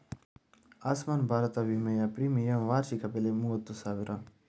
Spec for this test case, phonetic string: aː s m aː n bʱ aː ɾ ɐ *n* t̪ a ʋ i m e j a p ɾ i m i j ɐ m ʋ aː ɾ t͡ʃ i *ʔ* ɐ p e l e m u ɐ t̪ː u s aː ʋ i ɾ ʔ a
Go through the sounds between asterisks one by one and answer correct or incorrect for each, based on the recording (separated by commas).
incorrect, incorrect